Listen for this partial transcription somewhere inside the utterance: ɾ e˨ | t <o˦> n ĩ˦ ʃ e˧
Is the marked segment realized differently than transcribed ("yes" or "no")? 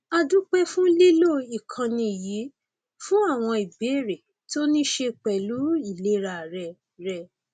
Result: no